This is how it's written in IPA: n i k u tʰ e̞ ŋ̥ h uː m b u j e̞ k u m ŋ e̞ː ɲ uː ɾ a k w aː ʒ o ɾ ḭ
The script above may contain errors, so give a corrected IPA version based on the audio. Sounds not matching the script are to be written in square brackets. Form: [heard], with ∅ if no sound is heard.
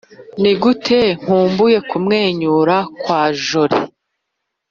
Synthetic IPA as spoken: n i [ɡ] u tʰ e̞ ŋ̥ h uː m b u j e̞ k u m ŋ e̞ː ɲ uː ɾ a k w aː ʒ o ɾ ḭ